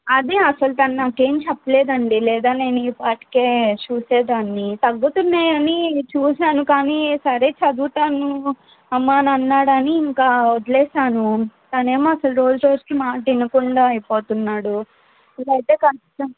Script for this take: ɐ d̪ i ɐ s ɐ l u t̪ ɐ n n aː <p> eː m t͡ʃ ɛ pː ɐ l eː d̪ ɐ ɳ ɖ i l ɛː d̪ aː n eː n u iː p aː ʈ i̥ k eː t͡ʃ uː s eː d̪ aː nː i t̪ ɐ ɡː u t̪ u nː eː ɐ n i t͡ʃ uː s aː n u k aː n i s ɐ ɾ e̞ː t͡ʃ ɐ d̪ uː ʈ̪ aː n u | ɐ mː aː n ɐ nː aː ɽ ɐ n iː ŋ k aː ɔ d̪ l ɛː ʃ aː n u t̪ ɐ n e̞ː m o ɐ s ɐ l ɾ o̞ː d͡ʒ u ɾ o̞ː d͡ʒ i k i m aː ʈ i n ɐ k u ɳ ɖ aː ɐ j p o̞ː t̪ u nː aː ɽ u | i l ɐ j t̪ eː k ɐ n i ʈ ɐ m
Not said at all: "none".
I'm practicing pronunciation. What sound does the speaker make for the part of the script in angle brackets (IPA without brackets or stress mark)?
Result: k